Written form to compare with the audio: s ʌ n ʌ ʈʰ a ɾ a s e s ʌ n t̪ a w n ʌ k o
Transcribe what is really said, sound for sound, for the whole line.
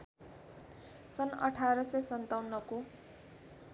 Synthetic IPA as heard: s ʌ n ʌ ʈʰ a ɾ ʌ s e s ʌ n t̪ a w n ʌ k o